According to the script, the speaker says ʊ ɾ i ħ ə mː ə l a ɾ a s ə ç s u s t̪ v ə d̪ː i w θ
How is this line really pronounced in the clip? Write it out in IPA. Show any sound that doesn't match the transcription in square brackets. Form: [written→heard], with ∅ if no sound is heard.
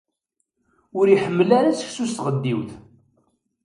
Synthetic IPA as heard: ʊ ɾ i ħ ə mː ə l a ɾ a s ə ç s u s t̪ [v→ʁ] ə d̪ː i w θ